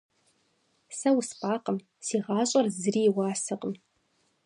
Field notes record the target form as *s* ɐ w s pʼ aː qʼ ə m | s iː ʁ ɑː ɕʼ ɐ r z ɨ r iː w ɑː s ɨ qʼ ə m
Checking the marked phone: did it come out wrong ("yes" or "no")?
no